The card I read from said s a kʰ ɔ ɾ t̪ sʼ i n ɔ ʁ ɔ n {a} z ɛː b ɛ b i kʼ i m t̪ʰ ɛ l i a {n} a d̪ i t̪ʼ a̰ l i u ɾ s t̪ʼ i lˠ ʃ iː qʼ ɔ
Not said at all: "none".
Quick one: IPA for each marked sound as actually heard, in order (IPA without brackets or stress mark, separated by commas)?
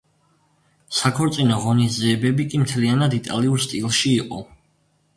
i, n